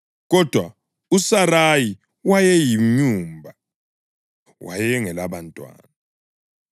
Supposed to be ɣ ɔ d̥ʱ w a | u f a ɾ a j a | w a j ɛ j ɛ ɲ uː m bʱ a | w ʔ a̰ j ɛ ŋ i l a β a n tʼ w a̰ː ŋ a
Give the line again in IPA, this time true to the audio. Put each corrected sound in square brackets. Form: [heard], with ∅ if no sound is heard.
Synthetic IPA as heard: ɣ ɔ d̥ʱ w a | u [s] a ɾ a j [i] | w a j ɛ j [i] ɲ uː m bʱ a | w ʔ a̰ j ɛ ŋ [ɛ] l a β a n tʼ w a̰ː [n] a